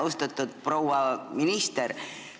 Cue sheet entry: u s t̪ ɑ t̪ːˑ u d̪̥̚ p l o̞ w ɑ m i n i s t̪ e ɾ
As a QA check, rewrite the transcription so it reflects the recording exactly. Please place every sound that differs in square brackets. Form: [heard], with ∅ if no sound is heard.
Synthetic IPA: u s t̪ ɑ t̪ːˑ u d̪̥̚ p [r] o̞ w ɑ m i n i s t̪ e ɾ